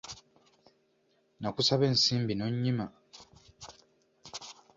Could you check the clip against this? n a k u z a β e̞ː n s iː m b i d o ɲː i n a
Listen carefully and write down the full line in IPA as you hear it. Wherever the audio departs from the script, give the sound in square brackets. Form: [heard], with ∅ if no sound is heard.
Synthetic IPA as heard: n a k u [s] a β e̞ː n s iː m b i [n] o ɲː i [m] a